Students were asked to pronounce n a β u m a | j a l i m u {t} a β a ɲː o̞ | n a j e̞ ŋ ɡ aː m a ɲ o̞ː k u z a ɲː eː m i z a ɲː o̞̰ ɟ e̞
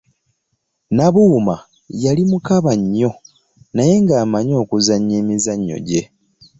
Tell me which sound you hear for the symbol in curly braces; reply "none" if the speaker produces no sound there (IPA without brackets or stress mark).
k